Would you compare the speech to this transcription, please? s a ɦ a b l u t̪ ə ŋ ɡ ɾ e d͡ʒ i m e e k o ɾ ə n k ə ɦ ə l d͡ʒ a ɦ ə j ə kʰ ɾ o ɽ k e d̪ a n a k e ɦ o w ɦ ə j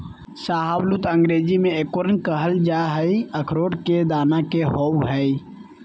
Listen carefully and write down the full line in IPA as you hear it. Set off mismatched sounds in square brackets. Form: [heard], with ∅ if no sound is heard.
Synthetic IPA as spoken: s a ɦ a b l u t̪ ə ŋ ɡ ɾ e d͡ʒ i m e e k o ɾ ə n k ə ɦ ə l d͡ʒ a ɦ ə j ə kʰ ɾ o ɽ k e d̪ a n a k e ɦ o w ɦ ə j